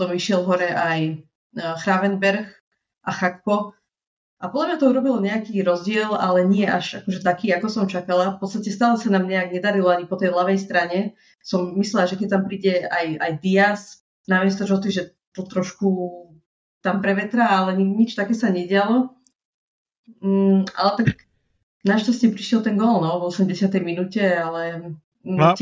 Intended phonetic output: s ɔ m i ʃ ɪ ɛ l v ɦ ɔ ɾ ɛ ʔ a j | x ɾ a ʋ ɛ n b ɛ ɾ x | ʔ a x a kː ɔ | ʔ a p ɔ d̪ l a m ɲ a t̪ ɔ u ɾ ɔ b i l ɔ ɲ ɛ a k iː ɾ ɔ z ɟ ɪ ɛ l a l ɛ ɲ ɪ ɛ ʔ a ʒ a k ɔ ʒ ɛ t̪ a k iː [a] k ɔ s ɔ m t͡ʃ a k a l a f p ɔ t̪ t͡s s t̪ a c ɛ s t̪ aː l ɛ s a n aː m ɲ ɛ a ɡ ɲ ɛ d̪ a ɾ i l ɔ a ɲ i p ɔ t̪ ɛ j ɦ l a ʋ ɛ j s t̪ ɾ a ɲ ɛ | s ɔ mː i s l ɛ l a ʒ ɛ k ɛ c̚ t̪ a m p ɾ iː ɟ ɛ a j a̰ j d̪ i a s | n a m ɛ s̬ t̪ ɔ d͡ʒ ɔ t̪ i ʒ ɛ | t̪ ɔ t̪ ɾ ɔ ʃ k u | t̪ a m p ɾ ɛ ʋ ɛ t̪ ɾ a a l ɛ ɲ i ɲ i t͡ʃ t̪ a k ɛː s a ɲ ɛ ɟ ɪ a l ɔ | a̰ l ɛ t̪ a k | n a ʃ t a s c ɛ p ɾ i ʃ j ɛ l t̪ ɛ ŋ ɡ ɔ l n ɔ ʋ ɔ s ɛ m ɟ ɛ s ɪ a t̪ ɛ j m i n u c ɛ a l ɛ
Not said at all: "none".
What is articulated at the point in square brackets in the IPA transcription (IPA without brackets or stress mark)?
a